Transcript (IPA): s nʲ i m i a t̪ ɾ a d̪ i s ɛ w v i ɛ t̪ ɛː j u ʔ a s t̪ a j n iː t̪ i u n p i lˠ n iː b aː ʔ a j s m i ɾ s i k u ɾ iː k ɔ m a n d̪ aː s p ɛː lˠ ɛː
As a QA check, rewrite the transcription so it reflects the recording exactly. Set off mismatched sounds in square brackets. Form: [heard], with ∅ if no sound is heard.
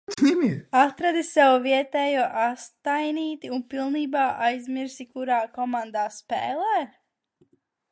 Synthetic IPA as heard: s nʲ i m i a t̪ ɾ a d̪ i s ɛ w v i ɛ t̪ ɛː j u ʔ a s t̪ a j n iː t̪ i u n p i lˠ n iː b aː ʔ a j [z] m i ɾ s i k u ɾ [aː] k ɔ m a n d̪ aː s p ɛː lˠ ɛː